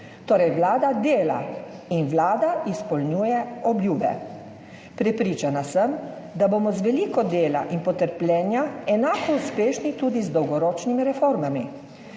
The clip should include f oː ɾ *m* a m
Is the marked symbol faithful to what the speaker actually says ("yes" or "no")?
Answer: yes